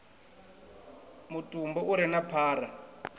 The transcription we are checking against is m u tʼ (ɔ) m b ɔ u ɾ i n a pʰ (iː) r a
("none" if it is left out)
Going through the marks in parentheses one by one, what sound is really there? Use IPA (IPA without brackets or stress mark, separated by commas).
u, aː